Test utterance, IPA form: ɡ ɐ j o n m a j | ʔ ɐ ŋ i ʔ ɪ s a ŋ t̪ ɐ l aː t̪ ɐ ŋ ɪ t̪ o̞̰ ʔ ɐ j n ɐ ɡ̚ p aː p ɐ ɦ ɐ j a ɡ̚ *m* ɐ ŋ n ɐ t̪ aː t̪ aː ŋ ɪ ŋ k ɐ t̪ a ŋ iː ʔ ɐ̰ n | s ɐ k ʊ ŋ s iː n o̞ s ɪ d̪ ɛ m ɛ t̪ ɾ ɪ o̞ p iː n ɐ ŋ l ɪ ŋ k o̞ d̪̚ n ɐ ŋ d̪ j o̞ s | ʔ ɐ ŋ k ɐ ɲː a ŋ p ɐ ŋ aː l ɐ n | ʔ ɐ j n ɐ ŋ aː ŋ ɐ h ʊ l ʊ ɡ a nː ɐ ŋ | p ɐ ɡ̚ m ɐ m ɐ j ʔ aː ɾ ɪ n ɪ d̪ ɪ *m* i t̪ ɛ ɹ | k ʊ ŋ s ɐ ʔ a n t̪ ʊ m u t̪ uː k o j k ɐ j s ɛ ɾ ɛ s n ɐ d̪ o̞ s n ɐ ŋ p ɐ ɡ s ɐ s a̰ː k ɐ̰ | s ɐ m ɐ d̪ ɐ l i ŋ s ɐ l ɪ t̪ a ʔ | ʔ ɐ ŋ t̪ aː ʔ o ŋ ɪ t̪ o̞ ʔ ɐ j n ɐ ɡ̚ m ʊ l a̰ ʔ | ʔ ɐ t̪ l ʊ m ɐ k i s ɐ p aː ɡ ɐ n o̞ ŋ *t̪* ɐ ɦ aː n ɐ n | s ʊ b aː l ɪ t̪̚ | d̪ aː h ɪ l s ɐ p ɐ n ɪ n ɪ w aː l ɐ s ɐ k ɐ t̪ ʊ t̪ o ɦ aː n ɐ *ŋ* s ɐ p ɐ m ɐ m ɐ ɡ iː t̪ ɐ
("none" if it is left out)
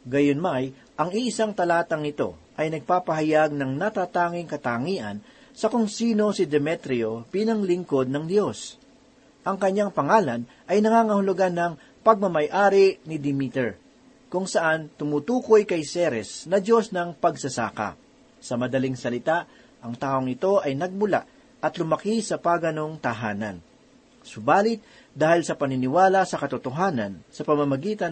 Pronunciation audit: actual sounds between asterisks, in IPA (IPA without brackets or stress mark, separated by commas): n, m, t̪, n